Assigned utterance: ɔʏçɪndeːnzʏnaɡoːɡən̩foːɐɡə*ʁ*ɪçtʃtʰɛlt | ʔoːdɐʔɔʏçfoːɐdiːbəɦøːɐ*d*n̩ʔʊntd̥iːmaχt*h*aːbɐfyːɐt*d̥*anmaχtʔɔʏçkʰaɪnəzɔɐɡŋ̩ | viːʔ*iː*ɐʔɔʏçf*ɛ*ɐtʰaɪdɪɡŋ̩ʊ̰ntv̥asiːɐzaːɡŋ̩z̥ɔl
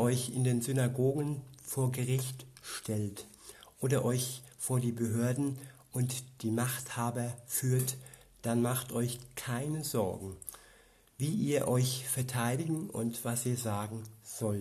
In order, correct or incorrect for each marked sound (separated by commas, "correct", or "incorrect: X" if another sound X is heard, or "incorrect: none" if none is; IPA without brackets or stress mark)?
correct, correct, correct, correct, correct, correct